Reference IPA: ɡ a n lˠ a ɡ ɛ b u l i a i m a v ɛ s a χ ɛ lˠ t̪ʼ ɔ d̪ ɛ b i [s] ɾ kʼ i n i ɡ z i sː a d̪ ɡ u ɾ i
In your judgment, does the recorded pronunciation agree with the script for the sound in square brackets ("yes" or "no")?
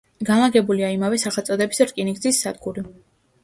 yes